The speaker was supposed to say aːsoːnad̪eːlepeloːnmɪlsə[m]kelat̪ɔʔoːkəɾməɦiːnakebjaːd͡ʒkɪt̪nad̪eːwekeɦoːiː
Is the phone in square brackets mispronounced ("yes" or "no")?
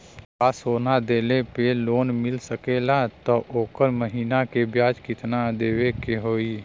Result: yes